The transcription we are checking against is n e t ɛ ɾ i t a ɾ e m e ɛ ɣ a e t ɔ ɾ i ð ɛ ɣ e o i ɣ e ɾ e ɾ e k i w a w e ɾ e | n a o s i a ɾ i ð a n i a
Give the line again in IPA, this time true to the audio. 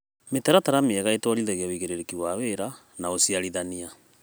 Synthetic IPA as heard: m e t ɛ ɾ a t a ɾ a m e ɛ ɣ a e t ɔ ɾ i ð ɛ ɣ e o i ɣ e ɾ e ɾ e k i w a w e ɾ a | n a o s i a ɾ i ð a n i a